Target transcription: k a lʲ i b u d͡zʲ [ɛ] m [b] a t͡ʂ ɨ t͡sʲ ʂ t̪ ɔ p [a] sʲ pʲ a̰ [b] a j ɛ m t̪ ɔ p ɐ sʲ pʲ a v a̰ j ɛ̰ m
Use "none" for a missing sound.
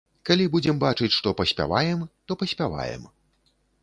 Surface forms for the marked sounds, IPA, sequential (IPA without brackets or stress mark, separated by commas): ɛ, b, ɐ, v